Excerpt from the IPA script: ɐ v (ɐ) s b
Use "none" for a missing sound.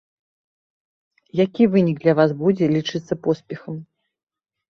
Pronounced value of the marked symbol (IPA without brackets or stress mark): a